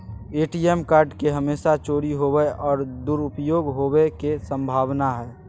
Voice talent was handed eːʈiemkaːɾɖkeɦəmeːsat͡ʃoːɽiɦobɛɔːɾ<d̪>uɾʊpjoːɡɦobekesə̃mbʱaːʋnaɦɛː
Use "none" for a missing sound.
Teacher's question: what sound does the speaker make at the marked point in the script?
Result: d̪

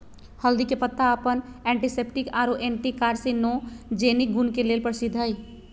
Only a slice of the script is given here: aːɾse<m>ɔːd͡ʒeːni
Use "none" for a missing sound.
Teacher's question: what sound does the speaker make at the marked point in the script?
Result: n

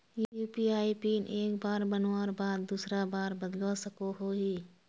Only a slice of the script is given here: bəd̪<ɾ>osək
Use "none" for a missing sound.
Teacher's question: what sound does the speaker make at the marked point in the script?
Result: l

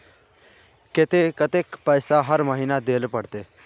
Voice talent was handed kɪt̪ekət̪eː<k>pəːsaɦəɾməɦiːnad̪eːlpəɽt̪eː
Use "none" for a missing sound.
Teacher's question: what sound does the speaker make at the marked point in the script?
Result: k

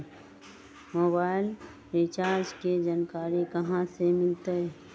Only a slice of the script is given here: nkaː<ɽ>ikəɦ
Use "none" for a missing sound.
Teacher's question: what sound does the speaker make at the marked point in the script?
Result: ɾ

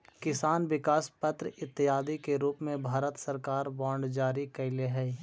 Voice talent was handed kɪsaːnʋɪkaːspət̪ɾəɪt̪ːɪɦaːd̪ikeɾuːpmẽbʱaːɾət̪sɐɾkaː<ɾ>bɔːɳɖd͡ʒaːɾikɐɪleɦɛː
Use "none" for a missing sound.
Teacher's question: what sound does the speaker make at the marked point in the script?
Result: ɾ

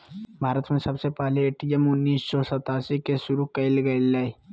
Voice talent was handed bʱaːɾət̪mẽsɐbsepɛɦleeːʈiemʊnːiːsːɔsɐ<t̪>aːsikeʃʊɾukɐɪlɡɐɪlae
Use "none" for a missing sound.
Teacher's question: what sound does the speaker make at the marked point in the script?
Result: t̪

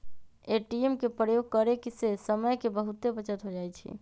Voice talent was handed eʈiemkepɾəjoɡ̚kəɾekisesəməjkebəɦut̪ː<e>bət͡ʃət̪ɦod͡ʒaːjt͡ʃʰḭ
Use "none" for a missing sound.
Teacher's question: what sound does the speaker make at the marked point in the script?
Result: e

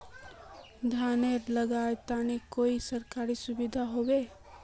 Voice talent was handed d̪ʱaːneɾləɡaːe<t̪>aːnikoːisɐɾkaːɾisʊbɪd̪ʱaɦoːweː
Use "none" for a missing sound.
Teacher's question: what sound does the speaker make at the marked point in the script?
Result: t̪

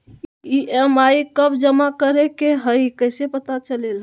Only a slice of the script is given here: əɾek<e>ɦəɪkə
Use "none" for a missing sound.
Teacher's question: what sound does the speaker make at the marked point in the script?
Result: e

